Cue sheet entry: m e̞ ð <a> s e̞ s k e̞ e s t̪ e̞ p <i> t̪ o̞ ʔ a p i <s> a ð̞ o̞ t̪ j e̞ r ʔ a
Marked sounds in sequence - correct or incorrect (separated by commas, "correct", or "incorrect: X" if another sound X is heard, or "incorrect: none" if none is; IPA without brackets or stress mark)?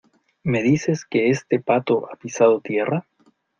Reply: incorrect: i, incorrect: a, correct